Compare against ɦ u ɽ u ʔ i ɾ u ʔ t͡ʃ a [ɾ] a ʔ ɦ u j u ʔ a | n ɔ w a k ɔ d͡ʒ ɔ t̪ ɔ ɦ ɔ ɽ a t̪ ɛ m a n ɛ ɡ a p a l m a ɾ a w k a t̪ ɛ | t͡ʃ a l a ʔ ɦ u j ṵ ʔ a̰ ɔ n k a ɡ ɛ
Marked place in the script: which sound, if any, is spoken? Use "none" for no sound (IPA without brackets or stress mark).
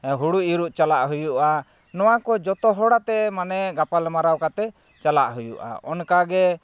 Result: l